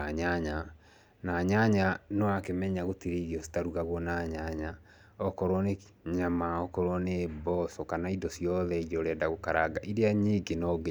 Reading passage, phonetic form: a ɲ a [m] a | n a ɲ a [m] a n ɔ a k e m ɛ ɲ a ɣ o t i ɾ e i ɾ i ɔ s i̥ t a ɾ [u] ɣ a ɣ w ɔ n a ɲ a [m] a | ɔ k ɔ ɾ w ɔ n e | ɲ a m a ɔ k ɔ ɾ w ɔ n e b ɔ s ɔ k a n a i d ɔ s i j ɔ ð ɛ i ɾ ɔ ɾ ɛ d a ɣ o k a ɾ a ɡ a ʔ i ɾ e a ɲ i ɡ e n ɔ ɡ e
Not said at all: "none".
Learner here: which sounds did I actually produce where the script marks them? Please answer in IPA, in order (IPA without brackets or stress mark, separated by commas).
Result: ɲ, ɲ, u, ɲ